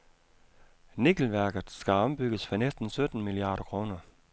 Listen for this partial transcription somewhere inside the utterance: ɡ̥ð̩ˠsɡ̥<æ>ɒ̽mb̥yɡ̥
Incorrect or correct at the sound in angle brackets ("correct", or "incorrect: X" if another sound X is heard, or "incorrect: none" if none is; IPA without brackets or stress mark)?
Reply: correct